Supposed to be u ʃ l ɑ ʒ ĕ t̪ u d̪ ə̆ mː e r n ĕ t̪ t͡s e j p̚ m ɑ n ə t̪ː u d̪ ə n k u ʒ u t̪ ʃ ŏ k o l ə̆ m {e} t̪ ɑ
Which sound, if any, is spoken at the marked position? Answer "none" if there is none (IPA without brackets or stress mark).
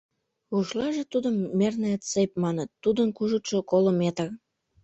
e